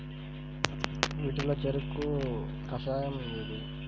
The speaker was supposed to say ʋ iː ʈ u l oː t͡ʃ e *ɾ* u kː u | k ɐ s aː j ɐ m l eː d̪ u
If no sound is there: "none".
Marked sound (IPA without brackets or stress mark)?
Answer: ɾ